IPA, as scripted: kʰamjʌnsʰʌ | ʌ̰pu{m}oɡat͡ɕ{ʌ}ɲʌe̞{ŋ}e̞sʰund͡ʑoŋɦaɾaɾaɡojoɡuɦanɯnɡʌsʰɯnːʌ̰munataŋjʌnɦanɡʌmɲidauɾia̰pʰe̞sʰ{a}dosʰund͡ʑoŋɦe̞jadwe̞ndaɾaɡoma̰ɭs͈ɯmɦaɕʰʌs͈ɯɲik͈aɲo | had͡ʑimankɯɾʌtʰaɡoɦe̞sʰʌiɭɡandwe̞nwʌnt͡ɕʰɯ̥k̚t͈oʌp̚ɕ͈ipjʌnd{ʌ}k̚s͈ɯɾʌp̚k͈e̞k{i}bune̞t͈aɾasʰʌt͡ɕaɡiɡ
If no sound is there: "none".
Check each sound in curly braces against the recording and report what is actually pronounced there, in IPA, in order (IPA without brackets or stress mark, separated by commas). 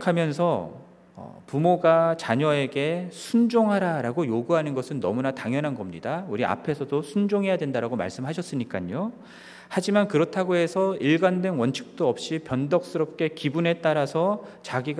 m, a, ɡ, ʌ, ʌ, i